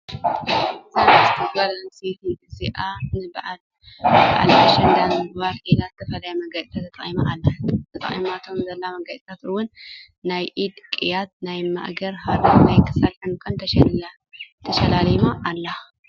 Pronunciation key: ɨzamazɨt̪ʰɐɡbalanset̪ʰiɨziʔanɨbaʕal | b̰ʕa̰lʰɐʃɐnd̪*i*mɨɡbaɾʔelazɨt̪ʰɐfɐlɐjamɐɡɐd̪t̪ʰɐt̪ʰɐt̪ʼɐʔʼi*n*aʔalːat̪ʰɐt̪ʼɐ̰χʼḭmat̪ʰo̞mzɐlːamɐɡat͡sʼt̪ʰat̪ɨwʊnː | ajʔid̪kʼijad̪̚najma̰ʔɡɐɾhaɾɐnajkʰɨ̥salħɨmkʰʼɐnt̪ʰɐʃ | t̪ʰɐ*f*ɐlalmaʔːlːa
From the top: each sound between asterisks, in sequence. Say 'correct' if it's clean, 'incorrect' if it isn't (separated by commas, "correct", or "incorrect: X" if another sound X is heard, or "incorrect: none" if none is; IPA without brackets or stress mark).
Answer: incorrect: a, incorrect: m, incorrect: ʃ